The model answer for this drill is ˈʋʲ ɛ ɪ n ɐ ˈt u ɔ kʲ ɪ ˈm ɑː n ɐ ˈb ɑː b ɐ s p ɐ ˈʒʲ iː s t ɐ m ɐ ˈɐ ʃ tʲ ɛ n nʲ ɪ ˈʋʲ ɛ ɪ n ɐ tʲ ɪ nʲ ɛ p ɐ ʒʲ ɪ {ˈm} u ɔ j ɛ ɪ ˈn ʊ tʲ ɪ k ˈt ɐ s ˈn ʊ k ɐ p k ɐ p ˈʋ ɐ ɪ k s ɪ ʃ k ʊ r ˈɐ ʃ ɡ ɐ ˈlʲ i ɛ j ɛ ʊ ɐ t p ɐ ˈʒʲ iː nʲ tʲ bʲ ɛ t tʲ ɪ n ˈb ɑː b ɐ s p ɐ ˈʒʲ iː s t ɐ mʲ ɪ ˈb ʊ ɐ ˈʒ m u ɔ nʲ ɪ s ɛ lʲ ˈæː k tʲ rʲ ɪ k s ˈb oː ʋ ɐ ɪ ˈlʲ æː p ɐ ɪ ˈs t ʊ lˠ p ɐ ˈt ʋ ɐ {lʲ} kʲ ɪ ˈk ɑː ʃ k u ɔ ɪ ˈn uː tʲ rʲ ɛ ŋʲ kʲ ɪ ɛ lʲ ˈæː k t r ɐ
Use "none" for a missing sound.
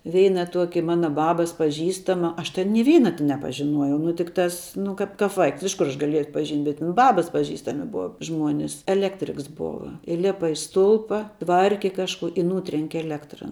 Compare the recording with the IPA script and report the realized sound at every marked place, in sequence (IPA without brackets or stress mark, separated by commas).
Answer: n, rʲ